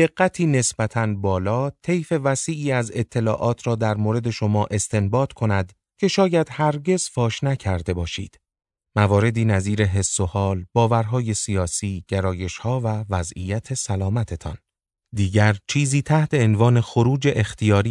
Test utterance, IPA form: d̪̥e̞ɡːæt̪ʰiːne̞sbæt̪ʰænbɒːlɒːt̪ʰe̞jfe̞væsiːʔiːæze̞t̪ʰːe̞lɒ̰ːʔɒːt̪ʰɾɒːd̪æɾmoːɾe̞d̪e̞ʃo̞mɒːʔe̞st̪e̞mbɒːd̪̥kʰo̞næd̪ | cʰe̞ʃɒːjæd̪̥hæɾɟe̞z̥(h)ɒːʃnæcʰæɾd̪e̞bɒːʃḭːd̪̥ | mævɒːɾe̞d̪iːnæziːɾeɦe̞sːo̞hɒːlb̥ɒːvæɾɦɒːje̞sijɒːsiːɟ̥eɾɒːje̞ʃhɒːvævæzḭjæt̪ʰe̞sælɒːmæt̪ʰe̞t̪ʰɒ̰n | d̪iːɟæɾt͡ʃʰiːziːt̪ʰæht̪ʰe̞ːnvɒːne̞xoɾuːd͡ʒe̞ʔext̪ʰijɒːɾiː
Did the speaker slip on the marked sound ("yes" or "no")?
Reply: yes